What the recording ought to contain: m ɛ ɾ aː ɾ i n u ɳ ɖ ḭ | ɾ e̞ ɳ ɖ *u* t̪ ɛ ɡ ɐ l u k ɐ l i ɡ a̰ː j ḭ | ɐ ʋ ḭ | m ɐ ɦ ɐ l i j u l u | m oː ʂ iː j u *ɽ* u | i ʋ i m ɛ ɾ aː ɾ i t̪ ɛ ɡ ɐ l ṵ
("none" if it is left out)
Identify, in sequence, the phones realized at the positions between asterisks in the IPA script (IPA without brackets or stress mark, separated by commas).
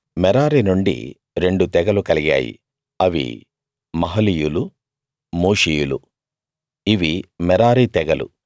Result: u, l